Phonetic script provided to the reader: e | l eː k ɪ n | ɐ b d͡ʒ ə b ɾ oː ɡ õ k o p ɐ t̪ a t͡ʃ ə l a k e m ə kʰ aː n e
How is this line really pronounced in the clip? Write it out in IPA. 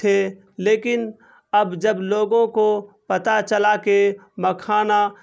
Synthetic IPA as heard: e | l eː k ɪ n | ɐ b d͡ʒ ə b l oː ɡ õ k o p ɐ t̪ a t͡ʃ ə l a k e m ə kʰ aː n a